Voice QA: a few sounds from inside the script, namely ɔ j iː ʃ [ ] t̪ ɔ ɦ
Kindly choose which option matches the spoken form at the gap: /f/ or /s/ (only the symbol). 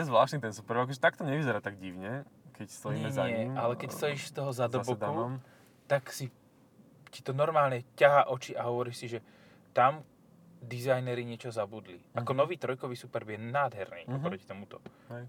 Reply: s